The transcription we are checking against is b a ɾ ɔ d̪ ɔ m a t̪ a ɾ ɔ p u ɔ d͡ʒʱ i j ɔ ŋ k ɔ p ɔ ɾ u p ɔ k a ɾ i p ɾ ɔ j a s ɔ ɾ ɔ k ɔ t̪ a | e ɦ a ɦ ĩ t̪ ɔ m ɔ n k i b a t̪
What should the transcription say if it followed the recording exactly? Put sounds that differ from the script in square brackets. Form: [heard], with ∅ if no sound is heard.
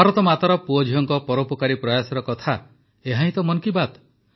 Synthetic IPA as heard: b a ɾ ɔ [t̪] ɔ m a t̪ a ɾ ɔ p u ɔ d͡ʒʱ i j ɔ ŋ k ɔ p ɔ ɾ [o] p ɔ k a ɾ i p ɾ ɔ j a s ɔ ɾ ɔ k ɔ [t̪ʰ] a | e ɦ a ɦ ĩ t̪ ɔ m ɔ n k i b a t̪